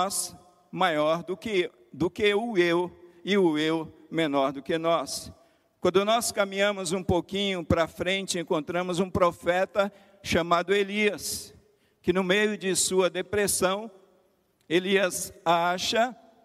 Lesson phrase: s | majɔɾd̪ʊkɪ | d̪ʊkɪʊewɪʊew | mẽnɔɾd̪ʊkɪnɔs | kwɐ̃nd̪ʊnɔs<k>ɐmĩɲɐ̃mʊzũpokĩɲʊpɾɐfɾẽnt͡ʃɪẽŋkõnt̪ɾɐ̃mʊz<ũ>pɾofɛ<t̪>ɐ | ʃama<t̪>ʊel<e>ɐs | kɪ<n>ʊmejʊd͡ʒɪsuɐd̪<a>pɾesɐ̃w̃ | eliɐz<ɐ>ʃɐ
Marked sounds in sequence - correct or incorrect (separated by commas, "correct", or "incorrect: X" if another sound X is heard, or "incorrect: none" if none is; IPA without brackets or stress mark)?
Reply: correct, correct, correct, incorrect: d̪, incorrect: i, correct, incorrect: e, incorrect: a